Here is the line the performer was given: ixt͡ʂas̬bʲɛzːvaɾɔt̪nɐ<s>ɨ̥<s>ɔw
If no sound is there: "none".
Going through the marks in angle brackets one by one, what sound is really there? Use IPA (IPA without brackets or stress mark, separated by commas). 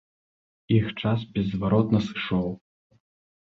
s, ʂ